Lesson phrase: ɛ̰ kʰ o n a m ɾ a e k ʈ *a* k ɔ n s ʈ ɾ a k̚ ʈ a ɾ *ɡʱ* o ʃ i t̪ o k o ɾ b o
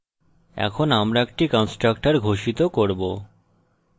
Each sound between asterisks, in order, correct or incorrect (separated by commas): incorrect, correct